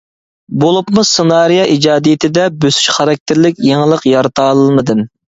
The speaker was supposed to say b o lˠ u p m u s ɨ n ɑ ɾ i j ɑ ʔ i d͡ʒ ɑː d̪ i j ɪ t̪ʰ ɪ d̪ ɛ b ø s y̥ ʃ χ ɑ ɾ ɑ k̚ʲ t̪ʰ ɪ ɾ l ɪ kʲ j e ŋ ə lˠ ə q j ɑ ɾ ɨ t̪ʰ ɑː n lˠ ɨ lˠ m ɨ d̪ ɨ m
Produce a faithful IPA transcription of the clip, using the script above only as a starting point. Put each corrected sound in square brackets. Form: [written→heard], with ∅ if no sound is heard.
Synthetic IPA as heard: b o lˠ u p m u s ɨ n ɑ ɾ i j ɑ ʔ i d͡ʒ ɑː d̪ i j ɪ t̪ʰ ɪ d̪ ɛ b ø s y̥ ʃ χ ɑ ɾ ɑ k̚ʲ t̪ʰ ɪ ɾ l ɪ kʲ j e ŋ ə lˠ ə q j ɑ ɾ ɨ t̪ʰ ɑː [n→∅] lˠ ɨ lˠ m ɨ d̪ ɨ m